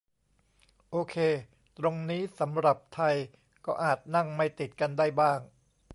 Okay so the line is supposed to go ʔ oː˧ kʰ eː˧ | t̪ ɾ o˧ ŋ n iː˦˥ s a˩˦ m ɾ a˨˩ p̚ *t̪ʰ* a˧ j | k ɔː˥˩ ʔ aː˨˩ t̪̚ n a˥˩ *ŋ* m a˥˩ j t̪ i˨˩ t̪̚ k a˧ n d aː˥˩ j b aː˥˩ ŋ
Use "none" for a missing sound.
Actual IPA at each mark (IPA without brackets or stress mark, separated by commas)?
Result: t̪ʰ, ŋ